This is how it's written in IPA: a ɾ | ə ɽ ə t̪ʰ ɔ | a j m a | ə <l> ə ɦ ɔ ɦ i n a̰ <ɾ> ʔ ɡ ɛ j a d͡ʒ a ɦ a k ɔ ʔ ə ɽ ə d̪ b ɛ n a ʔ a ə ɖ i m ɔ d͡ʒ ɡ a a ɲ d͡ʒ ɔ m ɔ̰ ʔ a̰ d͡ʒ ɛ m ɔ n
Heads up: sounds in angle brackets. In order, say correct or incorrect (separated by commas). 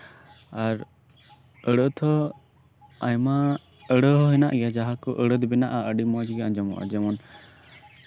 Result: incorrect, incorrect